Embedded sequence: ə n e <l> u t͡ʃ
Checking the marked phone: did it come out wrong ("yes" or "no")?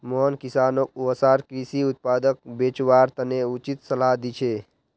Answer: yes